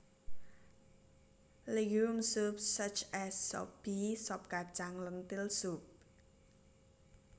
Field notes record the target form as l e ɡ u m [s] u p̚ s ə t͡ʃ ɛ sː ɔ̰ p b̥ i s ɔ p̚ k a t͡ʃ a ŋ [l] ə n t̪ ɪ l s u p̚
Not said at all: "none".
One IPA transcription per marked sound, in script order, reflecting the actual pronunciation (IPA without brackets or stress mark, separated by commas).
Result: s, l